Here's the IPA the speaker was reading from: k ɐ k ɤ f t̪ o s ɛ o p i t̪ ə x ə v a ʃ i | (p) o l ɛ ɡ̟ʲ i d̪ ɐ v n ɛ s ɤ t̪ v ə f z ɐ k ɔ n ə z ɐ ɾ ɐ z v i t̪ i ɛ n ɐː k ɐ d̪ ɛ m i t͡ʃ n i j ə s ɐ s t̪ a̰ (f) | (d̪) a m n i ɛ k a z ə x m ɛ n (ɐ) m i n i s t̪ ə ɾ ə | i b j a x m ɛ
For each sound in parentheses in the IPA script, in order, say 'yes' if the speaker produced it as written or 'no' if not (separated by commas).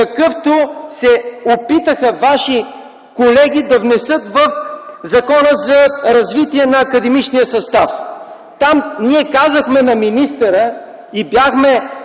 no, yes, no, yes